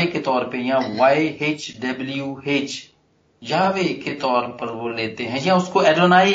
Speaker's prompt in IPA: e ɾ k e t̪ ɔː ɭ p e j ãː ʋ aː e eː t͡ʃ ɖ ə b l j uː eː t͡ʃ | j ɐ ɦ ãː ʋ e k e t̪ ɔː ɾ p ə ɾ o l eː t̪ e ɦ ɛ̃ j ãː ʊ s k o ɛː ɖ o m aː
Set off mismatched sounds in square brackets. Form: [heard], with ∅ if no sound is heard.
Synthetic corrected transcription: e [∅] k e t̪ ɔː [ɾ] p e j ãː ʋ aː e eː t͡ʃ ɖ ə b l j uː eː t͡ʃ | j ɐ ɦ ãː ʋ e k e t̪ ɔː ɾ p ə ɾ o l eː t̪ e ɦ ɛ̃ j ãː ʊ s k o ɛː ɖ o [n] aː